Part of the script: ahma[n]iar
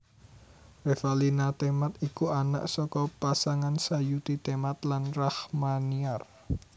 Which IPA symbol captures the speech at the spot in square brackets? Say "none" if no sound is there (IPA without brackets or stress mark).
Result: n